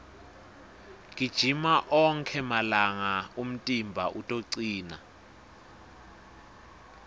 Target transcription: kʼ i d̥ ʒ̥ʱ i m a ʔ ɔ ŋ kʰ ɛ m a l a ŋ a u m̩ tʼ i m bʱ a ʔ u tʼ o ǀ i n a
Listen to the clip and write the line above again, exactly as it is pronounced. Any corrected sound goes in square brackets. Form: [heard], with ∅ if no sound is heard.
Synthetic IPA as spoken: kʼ i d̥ ʒ̥ʱ i m a ʔ ɔ ŋ kʰ ɛ m a l a ŋ a u m̩ tʼ i m bʱ a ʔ u tʼ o ǀ [iː] n a